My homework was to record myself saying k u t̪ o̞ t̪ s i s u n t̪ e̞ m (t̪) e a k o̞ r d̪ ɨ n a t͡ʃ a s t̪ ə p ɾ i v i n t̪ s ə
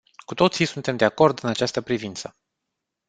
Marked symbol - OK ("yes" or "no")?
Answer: no